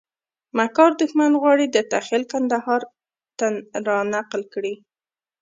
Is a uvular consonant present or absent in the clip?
present